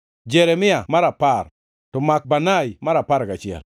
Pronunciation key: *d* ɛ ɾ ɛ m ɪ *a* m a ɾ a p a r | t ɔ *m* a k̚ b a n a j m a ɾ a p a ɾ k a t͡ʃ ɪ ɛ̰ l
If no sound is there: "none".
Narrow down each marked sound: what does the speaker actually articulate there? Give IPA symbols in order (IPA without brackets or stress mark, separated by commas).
d͡ʒ, a, m